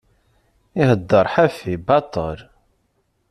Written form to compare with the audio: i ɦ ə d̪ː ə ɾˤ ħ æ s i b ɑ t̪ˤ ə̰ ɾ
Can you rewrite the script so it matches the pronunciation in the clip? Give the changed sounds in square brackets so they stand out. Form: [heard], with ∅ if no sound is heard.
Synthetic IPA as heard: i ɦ ə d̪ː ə ɾˤ ħ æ [f] i b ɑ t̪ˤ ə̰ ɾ

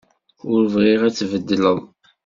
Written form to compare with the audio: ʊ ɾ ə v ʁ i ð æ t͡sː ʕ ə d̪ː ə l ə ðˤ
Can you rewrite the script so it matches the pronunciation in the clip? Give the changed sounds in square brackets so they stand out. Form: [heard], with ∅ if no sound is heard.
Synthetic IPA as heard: ʊ ɾ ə v ʁ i [ʁ] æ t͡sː [v] ə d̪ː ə l ə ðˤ

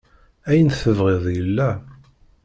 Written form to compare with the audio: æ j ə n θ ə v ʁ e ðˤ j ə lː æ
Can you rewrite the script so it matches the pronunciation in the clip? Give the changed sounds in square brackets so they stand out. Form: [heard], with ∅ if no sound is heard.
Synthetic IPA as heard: æ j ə n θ ə v ʁ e ðˤ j ə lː æ

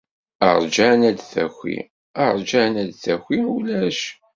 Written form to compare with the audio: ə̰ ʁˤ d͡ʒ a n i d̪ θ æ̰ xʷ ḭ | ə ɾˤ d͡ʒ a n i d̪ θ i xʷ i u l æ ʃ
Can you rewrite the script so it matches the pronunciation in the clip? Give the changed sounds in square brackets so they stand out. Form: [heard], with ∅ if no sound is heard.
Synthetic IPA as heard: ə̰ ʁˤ d͡ʒ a n [æ] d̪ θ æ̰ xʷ ḭ | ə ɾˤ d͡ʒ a n [æ] d̪ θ [æ] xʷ i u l æ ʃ

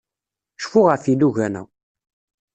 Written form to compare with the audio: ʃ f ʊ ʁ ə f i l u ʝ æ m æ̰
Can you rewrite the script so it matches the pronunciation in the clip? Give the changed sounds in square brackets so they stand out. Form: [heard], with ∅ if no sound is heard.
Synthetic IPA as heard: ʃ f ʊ ʁ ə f i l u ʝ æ [n] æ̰

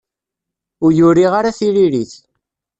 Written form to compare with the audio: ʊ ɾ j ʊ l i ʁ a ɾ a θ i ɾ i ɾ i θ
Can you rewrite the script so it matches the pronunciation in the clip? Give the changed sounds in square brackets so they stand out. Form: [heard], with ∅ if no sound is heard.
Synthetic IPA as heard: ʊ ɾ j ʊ [ɾ] i ʁ a ɾ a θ i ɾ i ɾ i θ

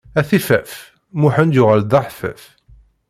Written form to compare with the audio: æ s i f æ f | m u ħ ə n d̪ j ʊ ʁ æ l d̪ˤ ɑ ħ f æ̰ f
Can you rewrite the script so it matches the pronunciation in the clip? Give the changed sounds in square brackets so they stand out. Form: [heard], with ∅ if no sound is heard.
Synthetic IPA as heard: æ [θ] i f æ f | m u ħ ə n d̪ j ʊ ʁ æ l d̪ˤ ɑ ħ f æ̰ f

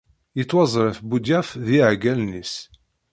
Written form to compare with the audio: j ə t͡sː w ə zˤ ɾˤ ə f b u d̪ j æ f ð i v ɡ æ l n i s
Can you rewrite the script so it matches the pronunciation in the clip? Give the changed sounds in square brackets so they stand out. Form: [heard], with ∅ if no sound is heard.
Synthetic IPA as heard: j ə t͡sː w [ɑ] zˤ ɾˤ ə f b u d̪ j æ f ð i [ʕ] ɡ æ l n i s

